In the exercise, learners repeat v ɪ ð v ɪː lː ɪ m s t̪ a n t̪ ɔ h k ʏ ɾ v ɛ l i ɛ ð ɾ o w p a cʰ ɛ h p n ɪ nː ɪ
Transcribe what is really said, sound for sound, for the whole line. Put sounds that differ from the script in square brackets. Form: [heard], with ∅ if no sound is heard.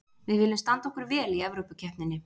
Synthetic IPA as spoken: v ɪ ð v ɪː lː ɪ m s t̪ a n t̪ ɔ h k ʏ ɾ v [ɛː] l i ɛ [v] ɾ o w p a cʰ ɛ h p n ɪ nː ɪ